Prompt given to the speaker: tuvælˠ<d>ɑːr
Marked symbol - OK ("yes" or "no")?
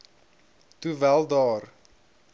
yes